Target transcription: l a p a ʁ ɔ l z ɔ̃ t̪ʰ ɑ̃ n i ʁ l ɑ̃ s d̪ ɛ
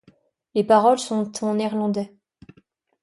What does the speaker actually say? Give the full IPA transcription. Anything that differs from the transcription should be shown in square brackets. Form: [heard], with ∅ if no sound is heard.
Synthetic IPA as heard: l [e] p a ʁ ɔ l [s] ɔ̃ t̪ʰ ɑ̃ n [ɛ] ʁ l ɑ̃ [∅] d̪ ɛ